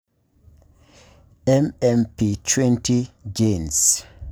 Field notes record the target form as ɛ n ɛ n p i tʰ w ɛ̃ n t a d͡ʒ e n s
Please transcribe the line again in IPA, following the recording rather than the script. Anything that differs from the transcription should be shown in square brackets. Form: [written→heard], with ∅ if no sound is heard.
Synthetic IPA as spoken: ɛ [n→m] ɛ [n→m] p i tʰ w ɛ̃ n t [a→i] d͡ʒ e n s